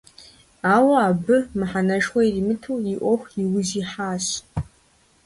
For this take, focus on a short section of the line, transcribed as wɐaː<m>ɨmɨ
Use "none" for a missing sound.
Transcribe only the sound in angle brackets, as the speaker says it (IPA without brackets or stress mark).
b